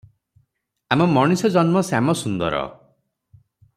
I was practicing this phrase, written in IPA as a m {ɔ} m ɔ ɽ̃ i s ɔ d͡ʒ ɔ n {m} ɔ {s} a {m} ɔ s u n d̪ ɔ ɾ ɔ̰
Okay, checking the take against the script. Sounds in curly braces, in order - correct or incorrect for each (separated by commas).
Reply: correct, correct, correct, correct